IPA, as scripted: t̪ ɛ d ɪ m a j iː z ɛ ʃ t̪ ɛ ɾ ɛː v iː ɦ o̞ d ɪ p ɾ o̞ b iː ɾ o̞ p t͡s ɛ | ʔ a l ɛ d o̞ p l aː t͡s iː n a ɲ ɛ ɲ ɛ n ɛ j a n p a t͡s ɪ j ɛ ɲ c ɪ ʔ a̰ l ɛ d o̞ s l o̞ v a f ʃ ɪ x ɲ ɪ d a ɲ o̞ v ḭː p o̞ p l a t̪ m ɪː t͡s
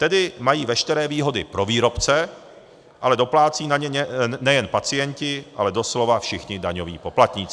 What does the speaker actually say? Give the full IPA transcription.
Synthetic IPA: t̪ ɛ d ɪ m a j iː v ɛ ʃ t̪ ɛ ɾ ɛː v iː ɦ o̞ d ɪ p ɾ o̞ v iː ɾ o̞ p t͡s ɛ | ʔ a l ɛ d o̞ p l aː t͡s iː n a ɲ ɛ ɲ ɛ n ɛ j ɛ n p a t͡s ɪ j ɛ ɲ c ɪ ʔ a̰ l ɛ d o̞ s l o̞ v a f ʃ ɪ x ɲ ɪ d a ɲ o̞ v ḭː p o̞ p l a t̪ ɲ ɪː t͡s